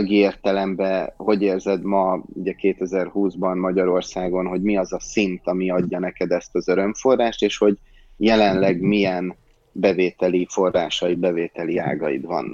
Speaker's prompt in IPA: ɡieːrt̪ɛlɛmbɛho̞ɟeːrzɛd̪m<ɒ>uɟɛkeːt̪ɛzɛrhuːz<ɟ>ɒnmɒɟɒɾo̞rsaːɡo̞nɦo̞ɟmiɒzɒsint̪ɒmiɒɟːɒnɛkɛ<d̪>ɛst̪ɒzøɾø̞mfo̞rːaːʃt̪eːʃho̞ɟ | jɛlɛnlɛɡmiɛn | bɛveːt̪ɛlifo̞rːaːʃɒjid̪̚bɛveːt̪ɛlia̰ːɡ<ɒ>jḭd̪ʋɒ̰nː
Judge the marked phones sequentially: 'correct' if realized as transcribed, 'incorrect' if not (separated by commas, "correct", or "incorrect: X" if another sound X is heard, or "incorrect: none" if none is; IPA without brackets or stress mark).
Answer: correct, incorrect: b, correct, correct